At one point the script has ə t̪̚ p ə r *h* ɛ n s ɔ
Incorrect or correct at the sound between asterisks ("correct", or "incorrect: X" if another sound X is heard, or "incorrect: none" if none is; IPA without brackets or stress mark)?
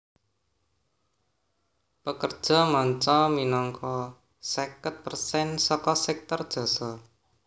incorrect: s